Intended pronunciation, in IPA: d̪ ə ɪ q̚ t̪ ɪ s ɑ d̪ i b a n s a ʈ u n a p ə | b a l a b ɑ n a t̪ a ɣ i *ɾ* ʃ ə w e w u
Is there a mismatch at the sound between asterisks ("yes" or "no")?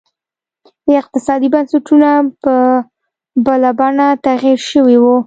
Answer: no